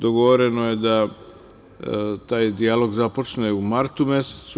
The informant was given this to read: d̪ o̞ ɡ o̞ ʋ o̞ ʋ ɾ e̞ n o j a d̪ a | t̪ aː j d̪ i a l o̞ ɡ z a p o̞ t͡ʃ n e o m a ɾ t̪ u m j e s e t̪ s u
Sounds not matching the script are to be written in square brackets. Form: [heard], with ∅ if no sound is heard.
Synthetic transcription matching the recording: d̪ o̞ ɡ o̞ ʋ o̞ [∅] ɾ e̞ n o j [e] d̪ a | t̪ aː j d̪ i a l o̞ ɡ z a p o̞ t͡ʃ n e [u] m a ɾ t̪ u m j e s e t̪ s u

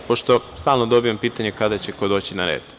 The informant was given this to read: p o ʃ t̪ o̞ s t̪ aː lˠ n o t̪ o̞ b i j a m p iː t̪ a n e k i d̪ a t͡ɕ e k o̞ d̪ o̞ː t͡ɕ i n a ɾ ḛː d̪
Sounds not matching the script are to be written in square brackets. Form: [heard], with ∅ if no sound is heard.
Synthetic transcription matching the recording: p o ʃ t̪ o̞ s t̪ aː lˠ n o [d̪] o̞ b i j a m p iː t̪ a [ɲ] e k [a] d̪ a t͡ɕ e k o̞ d̪ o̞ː t͡ɕ i n a ɾ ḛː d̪

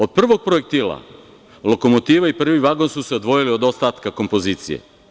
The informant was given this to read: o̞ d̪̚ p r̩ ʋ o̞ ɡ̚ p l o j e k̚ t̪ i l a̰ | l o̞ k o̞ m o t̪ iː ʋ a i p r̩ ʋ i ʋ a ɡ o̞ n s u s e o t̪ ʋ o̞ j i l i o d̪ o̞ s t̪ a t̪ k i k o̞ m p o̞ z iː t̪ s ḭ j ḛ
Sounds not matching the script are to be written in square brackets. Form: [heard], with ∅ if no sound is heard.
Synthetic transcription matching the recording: o̞ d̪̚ p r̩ ʋ o̞ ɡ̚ p [ɾ] o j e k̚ t̪ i l a̰ | l o̞ k o̞ m o t̪ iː ʋ a i p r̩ ʋ i ʋ a ɡ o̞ n s u s e o [d̪] ʋ o̞ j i l i o d̪ o̞ s t̪ a t̪ k [a] k o̞ m p o̞ z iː t̪ s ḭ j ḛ

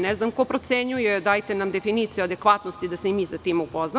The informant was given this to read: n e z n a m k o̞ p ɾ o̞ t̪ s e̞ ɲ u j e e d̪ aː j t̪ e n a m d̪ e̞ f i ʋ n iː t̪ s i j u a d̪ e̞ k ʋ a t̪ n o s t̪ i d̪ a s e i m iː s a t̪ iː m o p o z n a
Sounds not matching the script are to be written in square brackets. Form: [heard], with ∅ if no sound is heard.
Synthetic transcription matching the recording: n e z n a m k o̞ p ɾ o̞ t̪ s e̞ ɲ u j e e d̪ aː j t̪ e n a m d̪ e̞ f i [∅] n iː t̪ s i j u a d̪ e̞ k ʋ a t̪ n o s t̪ i d̪ a s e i m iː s a t̪ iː m [u] p o z n a

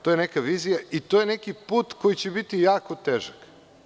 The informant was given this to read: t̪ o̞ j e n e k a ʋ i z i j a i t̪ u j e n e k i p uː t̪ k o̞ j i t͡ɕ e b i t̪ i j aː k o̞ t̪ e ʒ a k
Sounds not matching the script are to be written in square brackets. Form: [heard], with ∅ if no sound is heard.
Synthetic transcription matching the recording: t̪ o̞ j e n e k a ʋ i z i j a i t̪ [o] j e n e k i p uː t̪ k o̞ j i t͡ɕ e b i t̪ i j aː k o̞ t̪ e ʒ a k

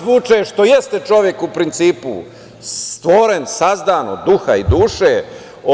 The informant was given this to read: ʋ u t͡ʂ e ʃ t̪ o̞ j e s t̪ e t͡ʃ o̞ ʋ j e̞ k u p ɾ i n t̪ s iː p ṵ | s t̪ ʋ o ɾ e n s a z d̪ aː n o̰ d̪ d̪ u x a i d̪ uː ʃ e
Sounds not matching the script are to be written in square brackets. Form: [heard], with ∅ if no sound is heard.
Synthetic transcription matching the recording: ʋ u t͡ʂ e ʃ t̪ o̞ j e s t̪ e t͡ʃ o̞ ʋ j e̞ k u p ɾ i n t̪ s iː p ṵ | s t̪ ʋ o ɾ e n s a z d̪ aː n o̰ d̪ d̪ u x a i d̪ uː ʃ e

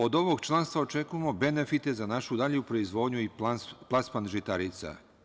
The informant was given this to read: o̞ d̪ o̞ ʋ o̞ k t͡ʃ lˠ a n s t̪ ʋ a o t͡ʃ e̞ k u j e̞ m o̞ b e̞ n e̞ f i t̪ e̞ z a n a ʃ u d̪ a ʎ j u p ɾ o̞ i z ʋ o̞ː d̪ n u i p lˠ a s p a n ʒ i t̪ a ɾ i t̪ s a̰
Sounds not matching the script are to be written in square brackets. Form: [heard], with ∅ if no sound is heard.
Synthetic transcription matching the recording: o̞ d̪ o̞ ʋ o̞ [ɡ] t͡ʃ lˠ a n s t̪ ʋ a o t͡ʃ e̞ k u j e̞ m o̞ b e̞ n e̞ f i t̪ e̞ z a n a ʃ u d̪ a ʎ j u p ɾ o̞ i z ʋ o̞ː d̪ [ɲ] u i p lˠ a s p a n ʒ i t̪ a ɾ i t̪ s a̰

